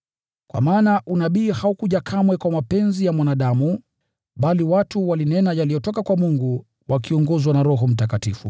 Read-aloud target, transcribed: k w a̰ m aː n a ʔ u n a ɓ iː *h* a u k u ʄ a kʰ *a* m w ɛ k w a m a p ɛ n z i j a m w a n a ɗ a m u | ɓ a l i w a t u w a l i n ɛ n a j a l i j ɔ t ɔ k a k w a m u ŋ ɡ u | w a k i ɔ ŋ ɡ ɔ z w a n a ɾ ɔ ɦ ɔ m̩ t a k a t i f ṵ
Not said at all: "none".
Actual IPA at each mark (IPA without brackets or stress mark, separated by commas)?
h, a